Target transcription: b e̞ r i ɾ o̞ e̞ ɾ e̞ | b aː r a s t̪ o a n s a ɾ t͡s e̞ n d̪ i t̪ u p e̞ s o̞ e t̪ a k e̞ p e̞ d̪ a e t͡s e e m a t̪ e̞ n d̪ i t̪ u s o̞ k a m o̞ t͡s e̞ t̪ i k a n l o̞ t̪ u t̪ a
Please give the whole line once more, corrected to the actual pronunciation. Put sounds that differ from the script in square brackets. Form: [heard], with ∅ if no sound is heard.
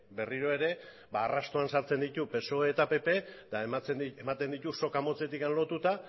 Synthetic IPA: b e̞ r i ɾ o̞ e̞ ɾ e̞ | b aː r a s t̪ o a n s a ɾ t͡s e̞ n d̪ i t̪ u p e̞ s o̞ e t̪ a [p] e̞ p e̞ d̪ a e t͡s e e m a t̪ e̞ n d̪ i t̪ u s o̞ k a m o̞ t͡s e̞ t̪ i k a n l o̞ t̪ u t̪ a